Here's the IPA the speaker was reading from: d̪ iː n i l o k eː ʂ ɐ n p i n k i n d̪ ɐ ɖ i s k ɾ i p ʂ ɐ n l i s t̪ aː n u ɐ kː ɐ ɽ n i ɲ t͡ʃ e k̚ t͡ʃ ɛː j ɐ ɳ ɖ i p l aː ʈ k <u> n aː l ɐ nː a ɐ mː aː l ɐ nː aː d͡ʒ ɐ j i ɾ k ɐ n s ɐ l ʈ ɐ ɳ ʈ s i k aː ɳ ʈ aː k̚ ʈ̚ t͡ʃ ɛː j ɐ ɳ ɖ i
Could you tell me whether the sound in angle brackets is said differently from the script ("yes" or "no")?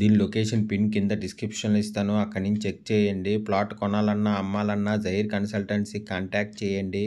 yes